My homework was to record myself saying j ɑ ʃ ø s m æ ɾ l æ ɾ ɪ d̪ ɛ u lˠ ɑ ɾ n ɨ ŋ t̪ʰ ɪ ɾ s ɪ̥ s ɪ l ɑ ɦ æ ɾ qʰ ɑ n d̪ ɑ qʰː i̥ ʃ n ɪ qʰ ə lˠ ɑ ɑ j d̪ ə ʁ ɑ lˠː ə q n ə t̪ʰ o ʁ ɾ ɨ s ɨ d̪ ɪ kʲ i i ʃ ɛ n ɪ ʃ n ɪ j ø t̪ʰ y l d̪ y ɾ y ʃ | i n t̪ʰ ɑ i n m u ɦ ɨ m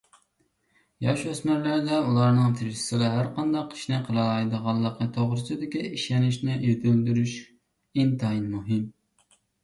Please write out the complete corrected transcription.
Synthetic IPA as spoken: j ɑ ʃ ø s m æ ɾ l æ ɾ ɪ d̪ ɛ u lˠ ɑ ɾ n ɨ ŋ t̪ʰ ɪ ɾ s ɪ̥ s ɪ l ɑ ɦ æ ɾ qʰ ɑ n d̪ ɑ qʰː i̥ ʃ n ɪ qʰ ə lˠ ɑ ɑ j d̪ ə ʁ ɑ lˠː ə q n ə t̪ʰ o ʁ ɾ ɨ s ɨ d̪ ɪ kʲ i i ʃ ɛ n ɪ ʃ n ɪ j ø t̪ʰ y l d̪ y ɾ y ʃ | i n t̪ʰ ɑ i n m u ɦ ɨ m